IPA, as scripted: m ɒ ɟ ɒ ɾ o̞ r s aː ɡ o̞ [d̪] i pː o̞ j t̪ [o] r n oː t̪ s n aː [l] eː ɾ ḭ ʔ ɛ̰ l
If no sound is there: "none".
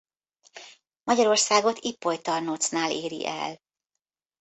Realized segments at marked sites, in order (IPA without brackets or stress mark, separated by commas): t̪, ɒ, l